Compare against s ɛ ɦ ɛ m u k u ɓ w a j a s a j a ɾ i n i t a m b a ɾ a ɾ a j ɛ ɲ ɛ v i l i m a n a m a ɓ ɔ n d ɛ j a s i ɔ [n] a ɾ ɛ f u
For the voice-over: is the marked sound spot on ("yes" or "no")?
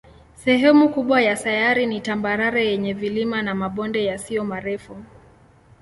no